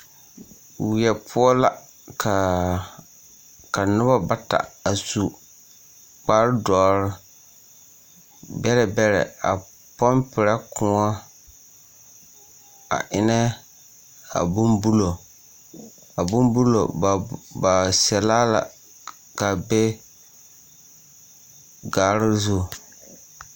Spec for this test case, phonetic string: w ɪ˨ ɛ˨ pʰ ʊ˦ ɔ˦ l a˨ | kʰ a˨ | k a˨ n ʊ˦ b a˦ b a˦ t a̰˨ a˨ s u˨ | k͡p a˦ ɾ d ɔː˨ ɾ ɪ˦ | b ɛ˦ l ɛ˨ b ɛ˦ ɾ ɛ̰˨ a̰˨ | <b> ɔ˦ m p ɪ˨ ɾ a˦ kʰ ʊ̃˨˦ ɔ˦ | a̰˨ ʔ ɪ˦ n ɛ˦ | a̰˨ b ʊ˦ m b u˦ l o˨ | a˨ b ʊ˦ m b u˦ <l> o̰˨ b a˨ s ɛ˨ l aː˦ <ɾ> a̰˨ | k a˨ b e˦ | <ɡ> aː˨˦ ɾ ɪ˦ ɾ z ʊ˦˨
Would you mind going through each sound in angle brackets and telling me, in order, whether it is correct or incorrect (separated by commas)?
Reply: incorrect, correct, incorrect, correct